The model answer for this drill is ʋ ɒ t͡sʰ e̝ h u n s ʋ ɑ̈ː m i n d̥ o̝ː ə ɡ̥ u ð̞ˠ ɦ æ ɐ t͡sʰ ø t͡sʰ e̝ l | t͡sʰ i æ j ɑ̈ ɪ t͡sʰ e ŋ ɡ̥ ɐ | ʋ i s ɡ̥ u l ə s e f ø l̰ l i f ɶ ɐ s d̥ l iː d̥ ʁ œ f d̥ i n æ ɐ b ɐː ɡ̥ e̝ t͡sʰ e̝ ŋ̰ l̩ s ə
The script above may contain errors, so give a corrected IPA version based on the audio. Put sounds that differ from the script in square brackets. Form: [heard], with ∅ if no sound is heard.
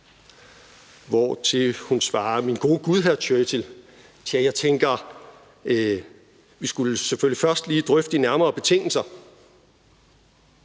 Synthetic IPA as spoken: ʋ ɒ t͡sʰ e̝ h u n s ʋ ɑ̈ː m i n [ɡ̥] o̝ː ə ɡ̥ u ð̞ˠ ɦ æ ɐ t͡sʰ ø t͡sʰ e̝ l | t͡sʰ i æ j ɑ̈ ɪ t͡sʰ e ŋ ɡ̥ ɐ | ʋ i s ɡ̥ u l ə s e f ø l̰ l i f ɶ ɐ s d̥ l iː d̥ ʁ œ f d̥ i n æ ɐ [m] ɐː [b̥] e̝ t͡sʰ e̝ ŋ̰ l̩ s [ɐ]